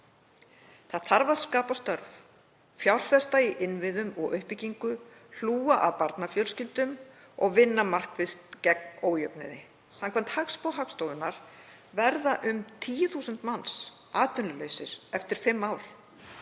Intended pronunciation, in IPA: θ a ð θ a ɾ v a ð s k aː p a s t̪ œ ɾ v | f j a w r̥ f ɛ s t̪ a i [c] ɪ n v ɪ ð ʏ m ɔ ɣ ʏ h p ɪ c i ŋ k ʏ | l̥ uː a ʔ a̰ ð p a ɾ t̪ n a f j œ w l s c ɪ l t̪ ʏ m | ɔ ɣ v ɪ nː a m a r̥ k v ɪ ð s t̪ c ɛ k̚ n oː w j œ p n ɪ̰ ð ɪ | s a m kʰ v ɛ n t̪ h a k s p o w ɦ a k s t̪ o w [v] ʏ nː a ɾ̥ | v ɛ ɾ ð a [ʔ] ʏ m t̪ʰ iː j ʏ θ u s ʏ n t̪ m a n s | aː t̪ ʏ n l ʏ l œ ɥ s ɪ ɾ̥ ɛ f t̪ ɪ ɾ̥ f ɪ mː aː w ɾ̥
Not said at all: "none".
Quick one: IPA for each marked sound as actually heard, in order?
ʔ, ð, ʔ

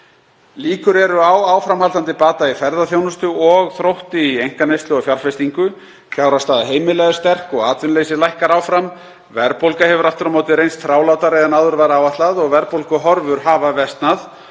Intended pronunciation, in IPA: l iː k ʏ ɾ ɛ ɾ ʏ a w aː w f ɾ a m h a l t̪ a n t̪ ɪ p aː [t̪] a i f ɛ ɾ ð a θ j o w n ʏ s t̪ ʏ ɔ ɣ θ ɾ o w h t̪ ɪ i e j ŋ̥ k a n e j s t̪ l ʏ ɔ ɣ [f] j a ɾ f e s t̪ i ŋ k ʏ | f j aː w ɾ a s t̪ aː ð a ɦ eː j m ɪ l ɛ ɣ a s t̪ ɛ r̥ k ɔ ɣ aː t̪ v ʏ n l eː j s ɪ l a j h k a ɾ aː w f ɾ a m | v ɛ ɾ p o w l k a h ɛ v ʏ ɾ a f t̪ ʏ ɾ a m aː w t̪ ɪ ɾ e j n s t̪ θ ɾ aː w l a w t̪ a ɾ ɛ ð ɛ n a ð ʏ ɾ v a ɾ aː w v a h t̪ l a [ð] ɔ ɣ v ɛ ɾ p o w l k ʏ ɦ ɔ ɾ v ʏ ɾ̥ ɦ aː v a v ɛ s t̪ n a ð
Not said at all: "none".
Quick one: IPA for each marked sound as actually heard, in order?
t̪, f, ð

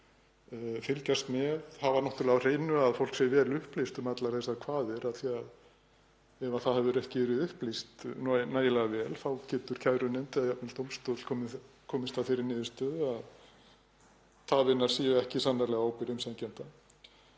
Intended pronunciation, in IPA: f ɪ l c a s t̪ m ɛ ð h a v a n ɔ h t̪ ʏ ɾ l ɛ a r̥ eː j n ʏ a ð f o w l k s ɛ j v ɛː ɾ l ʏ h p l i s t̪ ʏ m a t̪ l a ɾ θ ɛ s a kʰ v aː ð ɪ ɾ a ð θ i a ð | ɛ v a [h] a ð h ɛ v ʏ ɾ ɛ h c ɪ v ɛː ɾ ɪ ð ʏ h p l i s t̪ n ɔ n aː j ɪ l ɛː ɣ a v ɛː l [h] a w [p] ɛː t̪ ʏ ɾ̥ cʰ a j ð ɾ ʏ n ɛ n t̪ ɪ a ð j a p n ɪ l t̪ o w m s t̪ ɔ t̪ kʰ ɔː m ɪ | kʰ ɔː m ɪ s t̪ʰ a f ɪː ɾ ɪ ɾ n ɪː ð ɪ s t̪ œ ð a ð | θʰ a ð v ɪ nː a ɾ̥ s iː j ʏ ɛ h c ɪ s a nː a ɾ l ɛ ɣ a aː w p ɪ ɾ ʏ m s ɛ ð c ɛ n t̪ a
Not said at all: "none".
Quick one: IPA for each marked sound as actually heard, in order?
θ, θ, c

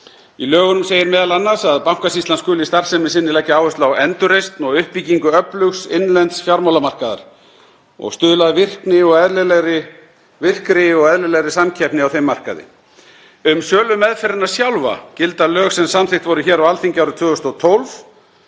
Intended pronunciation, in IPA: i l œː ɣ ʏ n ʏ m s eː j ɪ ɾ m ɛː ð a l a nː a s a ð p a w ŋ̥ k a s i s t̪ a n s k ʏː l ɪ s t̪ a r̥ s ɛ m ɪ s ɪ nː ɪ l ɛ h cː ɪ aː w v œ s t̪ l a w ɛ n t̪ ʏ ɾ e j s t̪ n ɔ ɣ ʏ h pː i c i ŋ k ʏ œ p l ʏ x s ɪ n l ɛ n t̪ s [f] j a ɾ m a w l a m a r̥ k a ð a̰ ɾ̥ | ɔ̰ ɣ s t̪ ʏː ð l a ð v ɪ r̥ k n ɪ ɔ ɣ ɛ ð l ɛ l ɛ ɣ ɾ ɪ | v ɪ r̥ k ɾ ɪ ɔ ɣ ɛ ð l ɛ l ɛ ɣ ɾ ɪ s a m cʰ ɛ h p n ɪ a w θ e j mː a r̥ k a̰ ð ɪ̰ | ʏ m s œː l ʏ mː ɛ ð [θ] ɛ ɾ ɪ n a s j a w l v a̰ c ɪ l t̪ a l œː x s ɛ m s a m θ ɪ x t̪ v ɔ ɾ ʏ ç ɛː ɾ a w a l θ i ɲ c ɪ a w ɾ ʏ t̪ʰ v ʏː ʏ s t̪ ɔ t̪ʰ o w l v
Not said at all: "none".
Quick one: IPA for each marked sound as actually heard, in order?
f, f

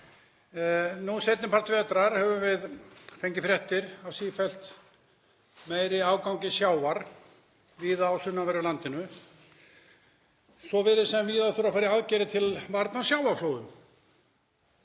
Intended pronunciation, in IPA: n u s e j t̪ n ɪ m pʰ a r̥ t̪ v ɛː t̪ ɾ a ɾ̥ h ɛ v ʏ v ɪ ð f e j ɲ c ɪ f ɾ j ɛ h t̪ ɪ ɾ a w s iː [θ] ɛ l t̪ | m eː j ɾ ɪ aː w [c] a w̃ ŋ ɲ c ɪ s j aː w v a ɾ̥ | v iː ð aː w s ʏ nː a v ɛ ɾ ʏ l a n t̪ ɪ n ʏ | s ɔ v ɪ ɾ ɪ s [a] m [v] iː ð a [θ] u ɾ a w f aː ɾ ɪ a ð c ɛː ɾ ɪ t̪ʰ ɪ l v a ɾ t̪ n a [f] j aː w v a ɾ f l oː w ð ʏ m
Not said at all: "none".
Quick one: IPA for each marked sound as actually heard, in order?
f, k, ɛ, v, θ, s

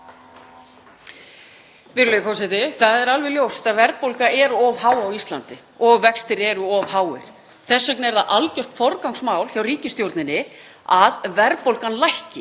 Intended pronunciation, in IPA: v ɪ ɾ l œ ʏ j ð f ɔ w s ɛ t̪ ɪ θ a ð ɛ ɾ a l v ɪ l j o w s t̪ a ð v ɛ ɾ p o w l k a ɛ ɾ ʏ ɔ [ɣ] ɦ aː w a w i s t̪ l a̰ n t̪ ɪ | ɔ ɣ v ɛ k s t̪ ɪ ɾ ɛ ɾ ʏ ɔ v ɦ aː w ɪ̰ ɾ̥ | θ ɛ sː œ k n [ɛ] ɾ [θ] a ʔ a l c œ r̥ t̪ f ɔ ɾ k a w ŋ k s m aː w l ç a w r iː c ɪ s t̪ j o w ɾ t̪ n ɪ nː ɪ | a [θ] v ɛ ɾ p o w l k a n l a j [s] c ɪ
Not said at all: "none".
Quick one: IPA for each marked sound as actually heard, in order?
v, ɛ, ð, ð, h

